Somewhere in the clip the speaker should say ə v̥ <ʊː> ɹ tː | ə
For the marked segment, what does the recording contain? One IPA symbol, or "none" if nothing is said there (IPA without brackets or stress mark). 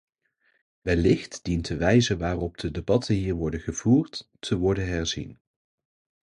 uː